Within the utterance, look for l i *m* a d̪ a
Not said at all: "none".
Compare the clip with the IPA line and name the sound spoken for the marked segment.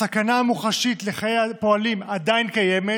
m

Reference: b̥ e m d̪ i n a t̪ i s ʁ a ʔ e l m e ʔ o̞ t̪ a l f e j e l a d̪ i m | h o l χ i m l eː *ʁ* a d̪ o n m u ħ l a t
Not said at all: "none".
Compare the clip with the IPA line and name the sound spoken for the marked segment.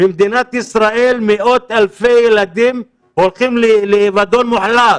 v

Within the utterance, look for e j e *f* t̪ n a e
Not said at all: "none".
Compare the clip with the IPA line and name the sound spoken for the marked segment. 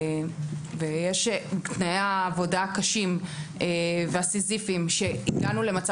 ʃ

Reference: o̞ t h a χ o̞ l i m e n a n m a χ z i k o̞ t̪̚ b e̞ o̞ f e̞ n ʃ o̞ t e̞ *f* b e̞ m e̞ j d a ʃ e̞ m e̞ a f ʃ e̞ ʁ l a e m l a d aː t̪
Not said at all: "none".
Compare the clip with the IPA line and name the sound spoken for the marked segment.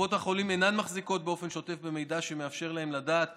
f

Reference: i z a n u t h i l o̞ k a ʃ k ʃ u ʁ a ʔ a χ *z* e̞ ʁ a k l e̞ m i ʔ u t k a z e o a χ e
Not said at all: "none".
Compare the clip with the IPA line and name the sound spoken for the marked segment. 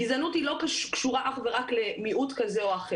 v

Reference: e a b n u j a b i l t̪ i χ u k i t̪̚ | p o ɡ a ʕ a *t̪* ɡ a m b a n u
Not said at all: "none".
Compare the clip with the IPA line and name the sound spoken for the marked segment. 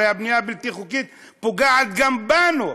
t̪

